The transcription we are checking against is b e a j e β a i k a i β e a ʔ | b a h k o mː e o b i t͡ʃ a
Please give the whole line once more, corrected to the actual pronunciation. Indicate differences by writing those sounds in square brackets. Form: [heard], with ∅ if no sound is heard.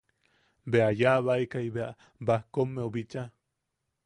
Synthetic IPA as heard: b e a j [a] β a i k a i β e a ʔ | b a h k o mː e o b i t͡ʃ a